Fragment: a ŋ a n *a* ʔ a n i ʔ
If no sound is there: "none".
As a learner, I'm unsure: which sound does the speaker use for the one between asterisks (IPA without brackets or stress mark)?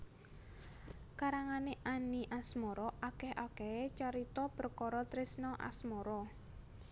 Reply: e